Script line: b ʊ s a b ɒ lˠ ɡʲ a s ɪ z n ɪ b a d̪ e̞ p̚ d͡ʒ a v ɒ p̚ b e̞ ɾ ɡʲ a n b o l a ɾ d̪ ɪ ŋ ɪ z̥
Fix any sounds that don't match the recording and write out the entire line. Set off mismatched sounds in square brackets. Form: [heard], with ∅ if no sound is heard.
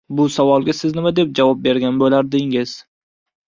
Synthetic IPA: b ʊ s a [v] ɒ lˠ ɡʲ a s ɪ z n ɪ [m] a d̪ e̞ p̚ d͡ʒ a v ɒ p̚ b e̞ ɾ ɡʲ a n b o l a ɾ d̪ ɪ ŋ ɪ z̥